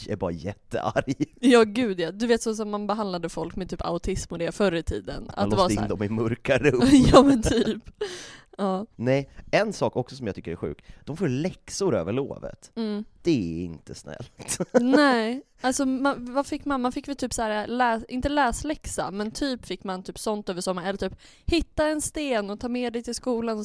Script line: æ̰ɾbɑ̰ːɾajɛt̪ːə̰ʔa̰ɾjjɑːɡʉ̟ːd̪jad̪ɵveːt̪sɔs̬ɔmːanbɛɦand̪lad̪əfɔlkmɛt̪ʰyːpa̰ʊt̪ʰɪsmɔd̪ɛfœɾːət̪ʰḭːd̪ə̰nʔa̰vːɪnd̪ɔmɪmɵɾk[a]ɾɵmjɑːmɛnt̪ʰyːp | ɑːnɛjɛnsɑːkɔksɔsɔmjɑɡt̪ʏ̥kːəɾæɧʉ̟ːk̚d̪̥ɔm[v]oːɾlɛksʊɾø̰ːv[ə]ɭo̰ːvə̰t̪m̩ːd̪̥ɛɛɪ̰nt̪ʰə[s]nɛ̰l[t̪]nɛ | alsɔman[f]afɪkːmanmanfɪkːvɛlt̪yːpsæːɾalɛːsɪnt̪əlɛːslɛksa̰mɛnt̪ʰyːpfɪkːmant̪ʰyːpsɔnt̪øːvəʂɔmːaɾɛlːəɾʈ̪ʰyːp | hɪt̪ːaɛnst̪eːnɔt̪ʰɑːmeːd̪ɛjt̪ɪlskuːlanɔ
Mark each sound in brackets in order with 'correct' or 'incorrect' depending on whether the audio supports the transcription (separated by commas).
correct, incorrect, correct, correct, correct, incorrect